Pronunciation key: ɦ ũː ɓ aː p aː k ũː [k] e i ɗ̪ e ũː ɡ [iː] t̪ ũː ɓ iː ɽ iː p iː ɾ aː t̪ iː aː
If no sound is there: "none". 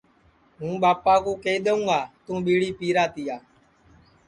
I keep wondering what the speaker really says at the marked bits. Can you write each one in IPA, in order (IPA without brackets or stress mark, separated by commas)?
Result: k, aː